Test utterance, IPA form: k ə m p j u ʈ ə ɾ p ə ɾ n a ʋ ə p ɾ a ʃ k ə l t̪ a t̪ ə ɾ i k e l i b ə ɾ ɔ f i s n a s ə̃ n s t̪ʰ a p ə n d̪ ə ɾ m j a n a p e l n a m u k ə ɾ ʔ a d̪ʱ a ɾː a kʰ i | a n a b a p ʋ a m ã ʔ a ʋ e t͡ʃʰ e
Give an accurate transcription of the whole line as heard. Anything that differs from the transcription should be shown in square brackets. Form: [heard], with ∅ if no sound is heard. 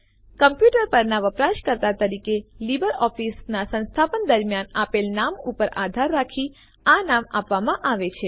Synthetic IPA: k ə m p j u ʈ ə ɾ p ə ɾ n a ʋ ə p ɾ a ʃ k ə [ɾ] t̪ a t̪ ə ɾ i k e l i b ə ɾ ɔ f i s n a s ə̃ n s t̪ʰ a p ə n d̪ ə ɾ m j a n a p e l n a m u [p] ə ɾ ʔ a d̪ʱ a ɾː a kʰ i | a n a [m] a p ʋ a m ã ʔ a ʋ e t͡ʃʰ e

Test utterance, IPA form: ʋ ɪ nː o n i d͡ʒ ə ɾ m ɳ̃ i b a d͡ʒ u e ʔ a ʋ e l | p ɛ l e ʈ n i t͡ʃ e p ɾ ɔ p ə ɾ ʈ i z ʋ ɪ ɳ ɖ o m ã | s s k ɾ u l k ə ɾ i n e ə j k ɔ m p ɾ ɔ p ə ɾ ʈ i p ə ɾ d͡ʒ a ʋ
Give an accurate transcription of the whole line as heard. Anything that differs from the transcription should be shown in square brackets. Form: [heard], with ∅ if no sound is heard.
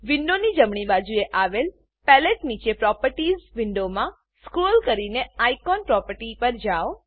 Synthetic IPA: ʋ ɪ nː o n i d͡ʒ ə [∅] m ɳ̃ i b a d͡ʒ u e ʔ a ʋ e l | p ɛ l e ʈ n i t͡ʃ e p ɾ ɔ p ə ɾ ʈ i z ʋ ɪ ɳ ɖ o m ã | s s k ɾ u l k ə ɾ i n e [a] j k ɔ [n] p ɾ ɔ p ə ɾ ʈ i p ə ɾ d͡ʒ a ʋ

